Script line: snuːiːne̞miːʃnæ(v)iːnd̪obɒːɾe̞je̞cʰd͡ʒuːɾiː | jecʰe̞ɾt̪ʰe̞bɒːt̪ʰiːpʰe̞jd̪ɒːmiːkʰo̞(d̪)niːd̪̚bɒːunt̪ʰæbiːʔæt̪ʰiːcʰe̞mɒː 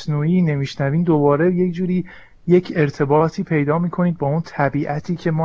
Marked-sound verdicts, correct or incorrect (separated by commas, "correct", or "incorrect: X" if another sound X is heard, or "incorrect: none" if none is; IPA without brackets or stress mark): correct, incorrect: none